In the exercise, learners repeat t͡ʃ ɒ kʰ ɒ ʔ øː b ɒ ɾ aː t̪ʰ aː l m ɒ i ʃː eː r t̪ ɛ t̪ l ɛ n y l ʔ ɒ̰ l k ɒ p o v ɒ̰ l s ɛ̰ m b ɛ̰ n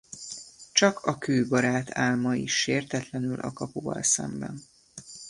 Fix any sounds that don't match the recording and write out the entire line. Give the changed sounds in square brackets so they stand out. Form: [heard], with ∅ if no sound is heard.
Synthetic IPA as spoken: t͡ʃ ɒ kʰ ɒ [k] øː b ɒ ɾ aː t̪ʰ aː l m ɒ i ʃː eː r t̪ ɛ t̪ l ɛ n y l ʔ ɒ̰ [∅] k ɒ p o v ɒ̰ l s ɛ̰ m b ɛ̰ n